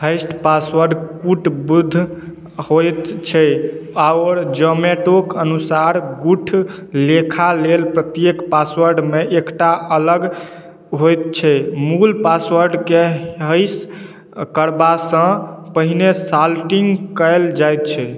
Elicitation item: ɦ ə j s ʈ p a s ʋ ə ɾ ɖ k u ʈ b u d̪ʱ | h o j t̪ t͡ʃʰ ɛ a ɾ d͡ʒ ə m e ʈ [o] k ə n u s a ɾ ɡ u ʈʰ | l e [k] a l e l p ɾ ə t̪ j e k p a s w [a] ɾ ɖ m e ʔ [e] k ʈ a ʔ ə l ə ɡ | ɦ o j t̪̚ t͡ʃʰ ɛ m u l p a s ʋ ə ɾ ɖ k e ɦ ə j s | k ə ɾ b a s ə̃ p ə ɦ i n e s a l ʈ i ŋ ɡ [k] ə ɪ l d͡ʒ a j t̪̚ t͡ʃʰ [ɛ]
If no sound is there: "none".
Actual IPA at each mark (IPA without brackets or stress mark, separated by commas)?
o, kʰ, ə, e, k, ɛ